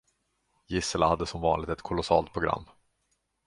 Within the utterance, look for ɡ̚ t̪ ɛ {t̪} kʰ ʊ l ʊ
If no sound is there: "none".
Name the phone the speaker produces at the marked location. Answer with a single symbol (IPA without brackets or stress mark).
t̪